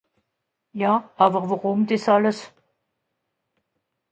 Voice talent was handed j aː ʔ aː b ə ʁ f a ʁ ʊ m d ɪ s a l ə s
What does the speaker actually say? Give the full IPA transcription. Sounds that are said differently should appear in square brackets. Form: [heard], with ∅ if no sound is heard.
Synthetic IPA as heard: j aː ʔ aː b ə ʁ [v] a ʁ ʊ m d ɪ s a l ə s